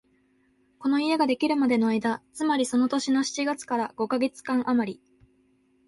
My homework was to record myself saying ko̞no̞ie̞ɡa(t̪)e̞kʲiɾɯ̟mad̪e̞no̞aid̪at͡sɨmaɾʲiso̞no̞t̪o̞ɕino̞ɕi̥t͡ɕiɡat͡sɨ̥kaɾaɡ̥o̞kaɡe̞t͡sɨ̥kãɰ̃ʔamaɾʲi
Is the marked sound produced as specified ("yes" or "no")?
no